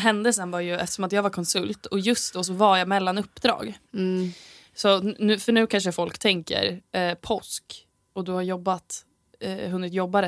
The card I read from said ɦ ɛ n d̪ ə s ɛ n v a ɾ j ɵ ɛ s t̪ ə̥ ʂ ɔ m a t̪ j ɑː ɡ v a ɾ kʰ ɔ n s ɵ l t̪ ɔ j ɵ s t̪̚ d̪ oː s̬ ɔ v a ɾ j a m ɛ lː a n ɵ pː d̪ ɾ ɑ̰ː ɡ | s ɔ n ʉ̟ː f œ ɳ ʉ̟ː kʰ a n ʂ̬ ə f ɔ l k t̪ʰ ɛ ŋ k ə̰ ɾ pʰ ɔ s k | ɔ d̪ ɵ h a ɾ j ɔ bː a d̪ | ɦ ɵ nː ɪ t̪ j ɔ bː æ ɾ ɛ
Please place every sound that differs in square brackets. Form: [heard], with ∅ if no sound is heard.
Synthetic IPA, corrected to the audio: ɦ ɛ n d̪ ə s ɛ n v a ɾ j ɵ ɛ [f] t̪ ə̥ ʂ ɔ m a t̪ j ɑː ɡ v a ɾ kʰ ɔ n s ɵ l t̪ ɔ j ɵ s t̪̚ d̪ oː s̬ ɔ v a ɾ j a m ɛ lː a n ɵ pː d̪ ɾ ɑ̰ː ɡ | s ɔ n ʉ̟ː f œ ɳ ʉ̟ː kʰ a n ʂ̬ ə f ɔ l k t̪ʰ ɛ ŋ k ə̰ ɾ pʰ ɔ s k | ɔ d̪ ɵ h a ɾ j ɔ bː a [t̪] | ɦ ɵ nː ɪ t̪ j ɔ bː [a] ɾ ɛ